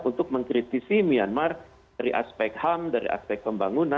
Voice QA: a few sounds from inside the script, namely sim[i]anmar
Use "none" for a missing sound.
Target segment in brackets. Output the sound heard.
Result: i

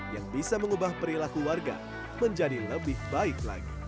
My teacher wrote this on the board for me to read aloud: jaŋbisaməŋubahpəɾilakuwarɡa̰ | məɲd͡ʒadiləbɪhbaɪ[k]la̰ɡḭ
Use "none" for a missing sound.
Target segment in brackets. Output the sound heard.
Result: k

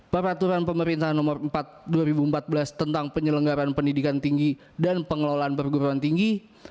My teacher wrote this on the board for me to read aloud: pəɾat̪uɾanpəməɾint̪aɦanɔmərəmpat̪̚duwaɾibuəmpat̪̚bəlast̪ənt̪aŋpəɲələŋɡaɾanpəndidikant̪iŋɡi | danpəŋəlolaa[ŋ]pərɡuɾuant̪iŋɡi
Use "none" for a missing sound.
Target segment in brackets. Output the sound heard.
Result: n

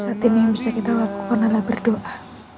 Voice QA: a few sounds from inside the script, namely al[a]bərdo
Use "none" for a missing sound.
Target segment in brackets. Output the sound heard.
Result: a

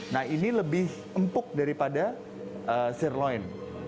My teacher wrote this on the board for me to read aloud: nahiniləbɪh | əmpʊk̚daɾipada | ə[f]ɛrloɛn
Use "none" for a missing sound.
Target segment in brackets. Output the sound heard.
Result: s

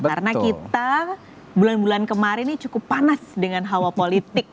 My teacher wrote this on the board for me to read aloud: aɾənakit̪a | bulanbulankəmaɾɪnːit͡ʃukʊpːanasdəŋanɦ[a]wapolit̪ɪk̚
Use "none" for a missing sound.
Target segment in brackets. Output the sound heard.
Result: a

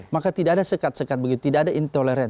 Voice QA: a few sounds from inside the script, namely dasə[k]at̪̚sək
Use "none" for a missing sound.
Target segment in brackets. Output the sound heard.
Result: k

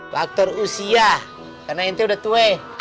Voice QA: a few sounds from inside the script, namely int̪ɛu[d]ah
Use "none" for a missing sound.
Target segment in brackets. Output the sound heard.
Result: d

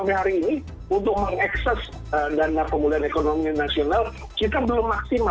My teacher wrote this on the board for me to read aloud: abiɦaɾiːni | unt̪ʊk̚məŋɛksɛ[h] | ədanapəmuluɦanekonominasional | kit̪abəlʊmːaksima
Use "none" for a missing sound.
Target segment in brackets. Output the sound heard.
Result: s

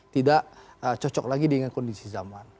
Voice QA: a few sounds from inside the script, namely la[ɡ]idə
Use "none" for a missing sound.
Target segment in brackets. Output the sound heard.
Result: ɡ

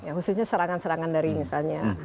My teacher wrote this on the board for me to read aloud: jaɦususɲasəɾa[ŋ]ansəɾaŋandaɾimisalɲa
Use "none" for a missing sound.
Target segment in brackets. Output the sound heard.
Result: ŋ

